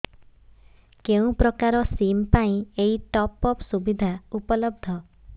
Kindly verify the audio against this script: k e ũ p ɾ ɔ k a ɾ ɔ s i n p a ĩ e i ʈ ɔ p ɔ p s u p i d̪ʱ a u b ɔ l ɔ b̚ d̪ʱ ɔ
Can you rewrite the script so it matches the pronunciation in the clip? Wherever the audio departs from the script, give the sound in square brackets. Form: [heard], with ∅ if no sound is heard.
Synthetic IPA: k e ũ p ɾ ɔ k a ɾ ɔ s i [m] p a ĩ e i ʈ ɔ p ɔ p s u [b] i d̪ʱ a u [p] ɔ l ɔ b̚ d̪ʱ ɔ

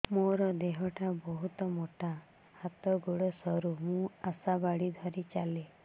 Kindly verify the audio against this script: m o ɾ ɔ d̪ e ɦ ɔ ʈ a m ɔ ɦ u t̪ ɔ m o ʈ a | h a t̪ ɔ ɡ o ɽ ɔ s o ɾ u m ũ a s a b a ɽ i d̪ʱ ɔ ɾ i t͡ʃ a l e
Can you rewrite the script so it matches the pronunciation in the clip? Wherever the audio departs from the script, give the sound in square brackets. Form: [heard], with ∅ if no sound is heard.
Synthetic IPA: m o ɾ ɔ d̪ e ɦ ɔ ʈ a [b] ɔ ɦ u t̪ ɔ m o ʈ a | h a t̪ ɔ ɡ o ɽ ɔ s [ɔ] ɾ u m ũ a s a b a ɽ i d̪ʱ ɔ ɾ i t͡ʃ a l e

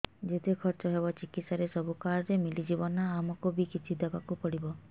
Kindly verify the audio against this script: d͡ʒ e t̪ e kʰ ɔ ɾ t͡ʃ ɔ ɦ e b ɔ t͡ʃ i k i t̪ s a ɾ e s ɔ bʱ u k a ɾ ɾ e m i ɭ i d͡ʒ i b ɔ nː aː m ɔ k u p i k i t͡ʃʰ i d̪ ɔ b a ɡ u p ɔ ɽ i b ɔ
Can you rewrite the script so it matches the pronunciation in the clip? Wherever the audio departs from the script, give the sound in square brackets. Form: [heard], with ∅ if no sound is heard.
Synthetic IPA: d͡ʒ e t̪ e kʰ ɔ ɾ t͡ʃ ɔ ɦ e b ɔ t͡ʃ i k i t̪ s a ɾ e s ɔ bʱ u k a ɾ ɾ e m i [l] i d͡ʒ i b ɔ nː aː m ɔ k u [b] i k i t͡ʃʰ i d̪ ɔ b a [k] u p ɔ ɽ i b ɔ

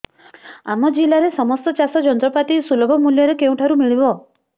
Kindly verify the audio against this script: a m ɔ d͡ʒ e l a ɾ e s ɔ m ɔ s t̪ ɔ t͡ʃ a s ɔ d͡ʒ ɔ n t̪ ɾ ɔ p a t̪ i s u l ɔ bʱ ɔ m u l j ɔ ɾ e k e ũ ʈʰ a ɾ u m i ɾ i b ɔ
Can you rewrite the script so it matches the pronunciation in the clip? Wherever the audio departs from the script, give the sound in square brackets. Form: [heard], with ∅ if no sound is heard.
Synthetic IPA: a m ɔ d͡ʒ [i] l a ɾ e s ɔ m ɔ s t̪ ɔ t͡ʃ a s ɔ d͡ʒ ɔ n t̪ ɾ ɔ p a t̪ i s u l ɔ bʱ ɔ m u l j ɔ ɾ e k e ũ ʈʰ a ɾ u m i [ɭ] i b ɔ

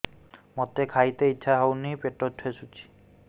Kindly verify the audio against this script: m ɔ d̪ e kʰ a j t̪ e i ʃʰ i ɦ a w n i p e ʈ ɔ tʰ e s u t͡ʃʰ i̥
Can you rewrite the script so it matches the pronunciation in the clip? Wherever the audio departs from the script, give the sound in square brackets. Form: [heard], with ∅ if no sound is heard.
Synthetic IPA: m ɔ [t̪] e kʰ a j t̪ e i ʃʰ [a] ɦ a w n i p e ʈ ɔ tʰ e s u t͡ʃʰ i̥

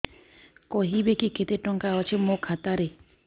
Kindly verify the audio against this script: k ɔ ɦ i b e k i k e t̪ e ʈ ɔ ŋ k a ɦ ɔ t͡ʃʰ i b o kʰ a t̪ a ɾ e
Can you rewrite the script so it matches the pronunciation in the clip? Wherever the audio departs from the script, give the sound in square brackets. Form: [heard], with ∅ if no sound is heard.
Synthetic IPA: k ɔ ɦ i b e k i k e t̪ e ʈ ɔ ŋ k a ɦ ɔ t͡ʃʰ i [m] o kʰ a t̪ a ɾ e

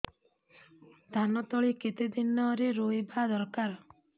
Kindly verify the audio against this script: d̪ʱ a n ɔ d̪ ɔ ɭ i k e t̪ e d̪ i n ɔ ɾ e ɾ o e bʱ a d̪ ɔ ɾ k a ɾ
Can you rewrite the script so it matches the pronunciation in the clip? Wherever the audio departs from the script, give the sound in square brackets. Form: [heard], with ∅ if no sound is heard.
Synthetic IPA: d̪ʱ a n ɔ [t̪] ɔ ɭ i k e t̪ e d̪ i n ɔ ɾ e ɾ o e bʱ a d̪ ɔ ɾ k a ɾ

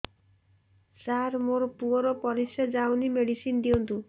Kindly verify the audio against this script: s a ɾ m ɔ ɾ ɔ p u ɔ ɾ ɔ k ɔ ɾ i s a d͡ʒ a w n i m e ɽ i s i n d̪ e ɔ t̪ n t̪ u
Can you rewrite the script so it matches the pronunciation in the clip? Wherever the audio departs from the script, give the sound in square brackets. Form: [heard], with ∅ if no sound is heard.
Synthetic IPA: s a ɾ m [o] ɾ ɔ p u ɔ ɾ ɔ [p] ɔ ɾ i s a d͡ʒ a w n i m e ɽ i s i n d̪ [i] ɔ [∅] n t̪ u

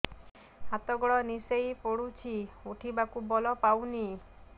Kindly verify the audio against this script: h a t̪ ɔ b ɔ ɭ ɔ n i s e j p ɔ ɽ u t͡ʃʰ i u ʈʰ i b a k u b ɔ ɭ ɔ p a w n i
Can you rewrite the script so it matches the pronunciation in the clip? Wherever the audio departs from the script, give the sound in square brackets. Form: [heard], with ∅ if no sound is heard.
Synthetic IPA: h a t̪ ɔ [ɡ] ɔ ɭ ɔ n i s e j p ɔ ɽ u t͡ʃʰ i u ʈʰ i b a k u b ɔ [l] ɔ p a w n i

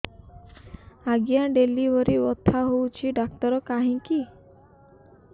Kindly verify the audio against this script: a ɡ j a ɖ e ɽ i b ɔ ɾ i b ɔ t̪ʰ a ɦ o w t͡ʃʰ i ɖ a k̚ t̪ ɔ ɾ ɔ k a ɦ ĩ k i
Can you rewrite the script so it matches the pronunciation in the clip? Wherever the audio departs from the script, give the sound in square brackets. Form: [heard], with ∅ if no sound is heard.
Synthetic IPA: a ɡ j a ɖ e [l] i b ɔ ɾ i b ɔ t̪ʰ a ɦ o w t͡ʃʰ i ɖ a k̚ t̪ ɔ ɾ ɔ k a ɦ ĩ k i

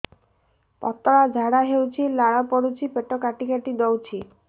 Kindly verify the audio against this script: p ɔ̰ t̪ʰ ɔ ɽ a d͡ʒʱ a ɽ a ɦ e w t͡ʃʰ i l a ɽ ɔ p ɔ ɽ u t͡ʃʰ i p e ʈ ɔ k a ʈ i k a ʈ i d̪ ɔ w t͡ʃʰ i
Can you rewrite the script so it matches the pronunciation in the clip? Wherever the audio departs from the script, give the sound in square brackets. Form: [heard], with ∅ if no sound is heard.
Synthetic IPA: p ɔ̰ [t̪] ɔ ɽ a d͡ʒʱ a ɽ a ɦ e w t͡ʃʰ i l a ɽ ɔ p ɔ ɽ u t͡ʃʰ i p e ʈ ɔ k a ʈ i k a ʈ i d̪ ɔ w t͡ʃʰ i

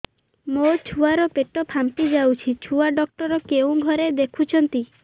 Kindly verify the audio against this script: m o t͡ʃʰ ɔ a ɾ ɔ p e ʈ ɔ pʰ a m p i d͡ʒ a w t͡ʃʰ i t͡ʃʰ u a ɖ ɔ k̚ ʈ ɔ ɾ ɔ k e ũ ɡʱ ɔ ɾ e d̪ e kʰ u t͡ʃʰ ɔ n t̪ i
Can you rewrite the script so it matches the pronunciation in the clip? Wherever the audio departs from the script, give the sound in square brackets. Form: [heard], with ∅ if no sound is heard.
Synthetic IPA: m o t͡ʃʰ [u] a ɾ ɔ p e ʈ ɔ pʰ a m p i d͡ʒ a w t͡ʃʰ i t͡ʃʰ u a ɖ ɔ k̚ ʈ ɔ ɾ ɔ k e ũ ɡʱ ɔ ɾ e d̪ e kʰ u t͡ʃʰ ɔ n t̪ i

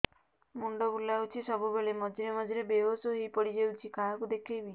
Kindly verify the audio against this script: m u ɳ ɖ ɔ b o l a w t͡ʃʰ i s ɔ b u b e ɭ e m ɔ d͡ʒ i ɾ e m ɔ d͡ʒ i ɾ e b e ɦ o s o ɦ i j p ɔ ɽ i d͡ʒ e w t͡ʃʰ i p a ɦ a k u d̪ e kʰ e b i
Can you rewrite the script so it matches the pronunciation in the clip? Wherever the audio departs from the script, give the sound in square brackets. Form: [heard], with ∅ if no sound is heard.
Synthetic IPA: m u ɳ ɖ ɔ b [u] l a w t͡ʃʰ i s ɔ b u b e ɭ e m ɔ d͡ʒ i ɾ e m ɔ d͡ʒ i ɾ e b e ɦ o s o ɦ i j p ɔ ɽ i d͡ʒ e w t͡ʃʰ i [k] a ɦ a k u d̪ e kʰ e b i

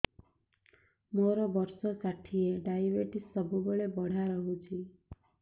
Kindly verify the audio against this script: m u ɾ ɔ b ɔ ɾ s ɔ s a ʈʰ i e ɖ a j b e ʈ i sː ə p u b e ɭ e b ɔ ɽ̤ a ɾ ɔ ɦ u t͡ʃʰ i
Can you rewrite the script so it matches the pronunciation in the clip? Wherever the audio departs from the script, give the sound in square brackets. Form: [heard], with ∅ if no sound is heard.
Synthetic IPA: m [o] ɾ ɔ b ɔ ɾ s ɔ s a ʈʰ i e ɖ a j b e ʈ i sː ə [b] u b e ɭ e b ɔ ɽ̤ a ɾ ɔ ɦ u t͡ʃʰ i

